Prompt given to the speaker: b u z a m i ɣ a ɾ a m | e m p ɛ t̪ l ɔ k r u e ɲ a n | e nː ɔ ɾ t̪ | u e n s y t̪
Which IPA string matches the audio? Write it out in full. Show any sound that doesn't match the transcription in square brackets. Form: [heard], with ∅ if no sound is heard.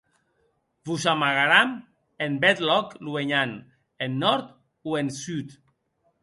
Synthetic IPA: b u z a m [a] ɣ a ɾ a m | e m [b] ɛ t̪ l ɔ k [l] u e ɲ a n | e nː ɔ ɾ t̪ | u e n s y t̪